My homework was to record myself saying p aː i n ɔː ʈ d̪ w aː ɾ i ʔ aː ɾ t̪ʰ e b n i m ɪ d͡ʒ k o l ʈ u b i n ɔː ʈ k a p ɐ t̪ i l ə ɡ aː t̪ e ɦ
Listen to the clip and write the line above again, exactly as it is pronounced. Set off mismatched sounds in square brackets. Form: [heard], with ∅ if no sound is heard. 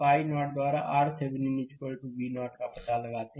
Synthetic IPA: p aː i n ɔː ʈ d̪ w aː ɾ [a] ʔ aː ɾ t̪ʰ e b n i m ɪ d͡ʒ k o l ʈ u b i n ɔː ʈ k a p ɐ t̪ [a] l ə ɡ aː t̪ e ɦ